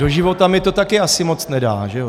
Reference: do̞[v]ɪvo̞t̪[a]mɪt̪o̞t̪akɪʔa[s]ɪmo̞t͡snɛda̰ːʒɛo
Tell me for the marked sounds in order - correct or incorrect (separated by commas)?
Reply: incorrect, correct, correct